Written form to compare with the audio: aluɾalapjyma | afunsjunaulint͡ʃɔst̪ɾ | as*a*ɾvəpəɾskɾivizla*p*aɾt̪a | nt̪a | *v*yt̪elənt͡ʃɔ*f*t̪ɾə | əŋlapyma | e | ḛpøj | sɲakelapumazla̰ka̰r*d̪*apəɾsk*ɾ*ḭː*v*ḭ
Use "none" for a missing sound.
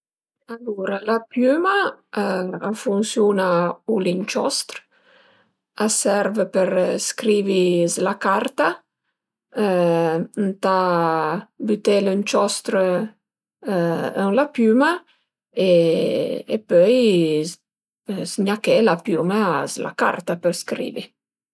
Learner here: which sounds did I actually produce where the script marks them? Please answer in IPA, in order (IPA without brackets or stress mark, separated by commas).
ɛ, k, b, s, t̪, ɾ, v